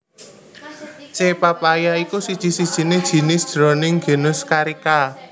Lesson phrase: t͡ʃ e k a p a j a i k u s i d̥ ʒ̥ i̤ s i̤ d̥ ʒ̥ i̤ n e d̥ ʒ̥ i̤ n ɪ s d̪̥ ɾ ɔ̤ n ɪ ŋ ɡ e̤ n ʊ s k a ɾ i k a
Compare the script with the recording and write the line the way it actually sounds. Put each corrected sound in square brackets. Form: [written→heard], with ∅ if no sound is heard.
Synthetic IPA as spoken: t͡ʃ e [k→p] a p a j a i k u s i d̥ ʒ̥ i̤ s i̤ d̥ ʒ̥ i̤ n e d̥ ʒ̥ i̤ n ɪ s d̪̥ ɾ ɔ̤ n ɪ ŋ ɡ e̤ n ʊ s k a ɾ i k a